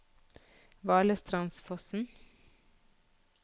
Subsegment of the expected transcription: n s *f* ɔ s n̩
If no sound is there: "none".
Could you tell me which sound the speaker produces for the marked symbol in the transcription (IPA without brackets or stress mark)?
f